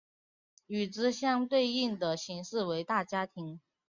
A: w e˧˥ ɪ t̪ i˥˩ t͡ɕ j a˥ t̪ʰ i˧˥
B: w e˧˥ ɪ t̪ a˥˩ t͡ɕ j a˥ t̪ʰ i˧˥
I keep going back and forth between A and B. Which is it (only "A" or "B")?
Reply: B